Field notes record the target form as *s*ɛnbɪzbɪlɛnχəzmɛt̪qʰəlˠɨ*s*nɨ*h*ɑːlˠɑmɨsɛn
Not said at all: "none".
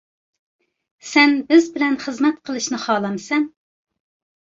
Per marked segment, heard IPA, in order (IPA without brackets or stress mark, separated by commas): s, ʃ, χ